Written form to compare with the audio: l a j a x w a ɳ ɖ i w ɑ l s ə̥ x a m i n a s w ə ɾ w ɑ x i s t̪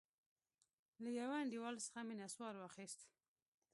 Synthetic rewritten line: l a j a w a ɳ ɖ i w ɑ l s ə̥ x a m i n a s w ɑ ɾ w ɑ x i s t̪